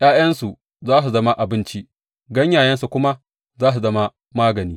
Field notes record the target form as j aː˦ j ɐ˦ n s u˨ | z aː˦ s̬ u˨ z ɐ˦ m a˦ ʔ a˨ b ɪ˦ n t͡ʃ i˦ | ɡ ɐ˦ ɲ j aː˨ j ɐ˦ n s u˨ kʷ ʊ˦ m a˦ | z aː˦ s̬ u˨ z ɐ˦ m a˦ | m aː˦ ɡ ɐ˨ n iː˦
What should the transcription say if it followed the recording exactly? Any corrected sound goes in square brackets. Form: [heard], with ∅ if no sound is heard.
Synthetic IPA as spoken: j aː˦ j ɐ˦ n s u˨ | z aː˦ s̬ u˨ z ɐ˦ m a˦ ʔ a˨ b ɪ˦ n t͡ʃ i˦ | ɡ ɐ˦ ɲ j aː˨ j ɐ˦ n s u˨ kʷ ʊ˦ m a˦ | z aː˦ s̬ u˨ z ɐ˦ m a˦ | m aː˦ ɡ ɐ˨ n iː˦